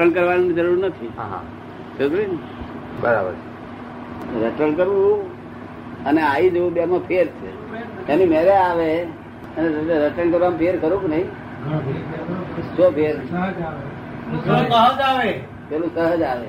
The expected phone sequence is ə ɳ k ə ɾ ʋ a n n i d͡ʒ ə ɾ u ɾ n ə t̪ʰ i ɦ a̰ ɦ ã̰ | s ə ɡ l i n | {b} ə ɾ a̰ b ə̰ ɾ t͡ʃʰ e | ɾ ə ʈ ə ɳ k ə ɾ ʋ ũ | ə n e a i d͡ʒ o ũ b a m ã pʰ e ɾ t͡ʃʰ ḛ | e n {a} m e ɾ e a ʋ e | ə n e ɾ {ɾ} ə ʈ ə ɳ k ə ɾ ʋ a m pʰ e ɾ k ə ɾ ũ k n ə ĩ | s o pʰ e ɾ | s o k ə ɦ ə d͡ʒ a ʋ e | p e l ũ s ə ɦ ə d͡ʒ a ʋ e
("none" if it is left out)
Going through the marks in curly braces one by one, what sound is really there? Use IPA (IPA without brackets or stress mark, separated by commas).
b, i, ɾ